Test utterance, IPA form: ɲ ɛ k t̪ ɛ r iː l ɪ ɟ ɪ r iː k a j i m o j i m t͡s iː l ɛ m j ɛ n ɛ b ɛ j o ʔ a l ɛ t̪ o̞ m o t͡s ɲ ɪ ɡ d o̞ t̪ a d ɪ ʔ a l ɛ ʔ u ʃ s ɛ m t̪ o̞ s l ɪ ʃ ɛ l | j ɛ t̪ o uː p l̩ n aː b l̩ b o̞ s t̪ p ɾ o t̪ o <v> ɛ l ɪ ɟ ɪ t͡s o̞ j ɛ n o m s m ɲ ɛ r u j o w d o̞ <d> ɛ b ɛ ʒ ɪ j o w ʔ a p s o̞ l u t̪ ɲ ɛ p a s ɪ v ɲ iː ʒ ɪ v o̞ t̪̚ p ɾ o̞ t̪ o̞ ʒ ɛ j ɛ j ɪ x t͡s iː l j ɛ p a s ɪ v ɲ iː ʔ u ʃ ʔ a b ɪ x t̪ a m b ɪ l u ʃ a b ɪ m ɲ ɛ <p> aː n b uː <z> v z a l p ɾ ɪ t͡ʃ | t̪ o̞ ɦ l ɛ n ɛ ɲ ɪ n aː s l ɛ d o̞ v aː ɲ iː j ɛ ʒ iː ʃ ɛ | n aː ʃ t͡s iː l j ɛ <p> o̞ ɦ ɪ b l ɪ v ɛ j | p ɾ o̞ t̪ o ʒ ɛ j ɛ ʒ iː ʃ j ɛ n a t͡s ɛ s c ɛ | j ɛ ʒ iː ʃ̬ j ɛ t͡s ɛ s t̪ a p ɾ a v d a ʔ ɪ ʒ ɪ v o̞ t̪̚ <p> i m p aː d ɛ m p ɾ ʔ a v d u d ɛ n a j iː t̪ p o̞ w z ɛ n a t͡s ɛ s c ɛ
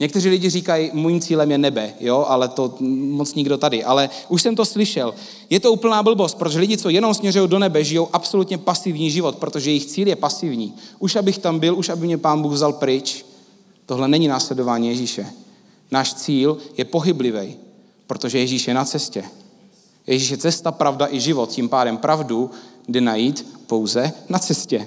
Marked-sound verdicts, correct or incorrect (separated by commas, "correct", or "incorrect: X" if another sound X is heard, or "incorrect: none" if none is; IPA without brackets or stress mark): incorrect: ʒ, incorrect: n, correct, incorrect: ɣ, correct, incorrect: c